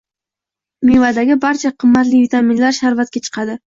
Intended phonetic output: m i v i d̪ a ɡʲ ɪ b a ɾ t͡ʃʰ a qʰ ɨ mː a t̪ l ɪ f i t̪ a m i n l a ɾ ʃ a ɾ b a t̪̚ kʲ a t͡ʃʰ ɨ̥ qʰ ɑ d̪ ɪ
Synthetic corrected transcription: m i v a d̪ a ɡʲ ɪ b a ɾ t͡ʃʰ a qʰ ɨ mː a t̪ l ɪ v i t̪ a m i n l a ɾ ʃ a ɾ v a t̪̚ kʲ a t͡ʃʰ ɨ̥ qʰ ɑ d̪ ɪ